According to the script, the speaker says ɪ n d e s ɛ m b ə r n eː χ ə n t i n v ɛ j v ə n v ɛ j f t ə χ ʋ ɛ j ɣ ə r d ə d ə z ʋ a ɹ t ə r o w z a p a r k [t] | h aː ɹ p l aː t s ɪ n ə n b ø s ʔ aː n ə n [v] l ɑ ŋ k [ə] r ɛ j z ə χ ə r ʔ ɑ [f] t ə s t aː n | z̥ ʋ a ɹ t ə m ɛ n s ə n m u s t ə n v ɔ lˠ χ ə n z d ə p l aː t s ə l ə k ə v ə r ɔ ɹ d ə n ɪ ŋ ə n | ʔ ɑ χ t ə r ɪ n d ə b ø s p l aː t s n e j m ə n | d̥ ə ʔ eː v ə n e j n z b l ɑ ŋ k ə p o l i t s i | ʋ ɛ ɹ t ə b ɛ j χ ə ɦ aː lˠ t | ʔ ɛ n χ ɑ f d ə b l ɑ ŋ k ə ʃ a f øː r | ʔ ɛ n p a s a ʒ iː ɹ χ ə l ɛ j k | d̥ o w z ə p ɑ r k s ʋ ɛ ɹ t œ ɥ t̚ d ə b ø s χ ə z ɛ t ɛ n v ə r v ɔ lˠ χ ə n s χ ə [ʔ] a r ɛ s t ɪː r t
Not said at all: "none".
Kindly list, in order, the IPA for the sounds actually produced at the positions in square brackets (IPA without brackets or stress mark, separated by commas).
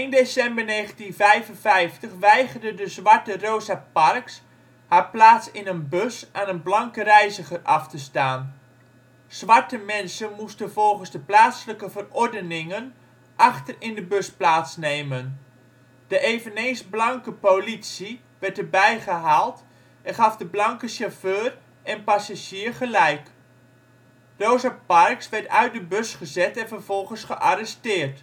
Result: s, b, ə, f, ʔ